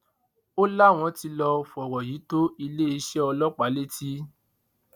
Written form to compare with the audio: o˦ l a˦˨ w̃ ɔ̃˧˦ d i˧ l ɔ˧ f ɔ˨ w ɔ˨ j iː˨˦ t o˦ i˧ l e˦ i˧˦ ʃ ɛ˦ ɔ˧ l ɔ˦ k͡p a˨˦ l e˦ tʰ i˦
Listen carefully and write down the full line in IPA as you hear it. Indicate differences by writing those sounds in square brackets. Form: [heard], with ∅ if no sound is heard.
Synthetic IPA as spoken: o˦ l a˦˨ w̃ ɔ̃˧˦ [t] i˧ l ɔ˧ f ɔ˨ w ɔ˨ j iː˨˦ t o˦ i˧ l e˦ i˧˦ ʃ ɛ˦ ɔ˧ l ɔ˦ k͡p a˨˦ l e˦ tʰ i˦